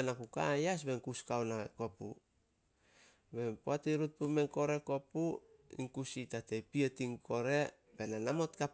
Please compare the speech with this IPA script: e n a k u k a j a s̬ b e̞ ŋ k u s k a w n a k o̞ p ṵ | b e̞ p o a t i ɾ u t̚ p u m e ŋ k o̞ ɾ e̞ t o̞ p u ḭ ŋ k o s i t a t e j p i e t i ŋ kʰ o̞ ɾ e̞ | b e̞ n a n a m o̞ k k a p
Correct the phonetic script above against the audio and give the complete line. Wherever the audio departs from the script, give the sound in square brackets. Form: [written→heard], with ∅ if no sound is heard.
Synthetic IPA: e n a k u k a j a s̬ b e̞ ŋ k u s k a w n a k o̞ p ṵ | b e̞ p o a t i ɾ u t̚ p u m e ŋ k o̞ ɾ e̞ [t→k] o̞ p u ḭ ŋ k [o→u] s i t a t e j p i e t i ŋ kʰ o̞ ɾ e̞ | b e̞ n a n a m o̞ [k→t] k a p